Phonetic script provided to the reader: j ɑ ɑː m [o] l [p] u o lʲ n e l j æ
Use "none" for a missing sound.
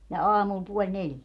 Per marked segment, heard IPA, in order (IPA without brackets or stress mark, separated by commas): u, p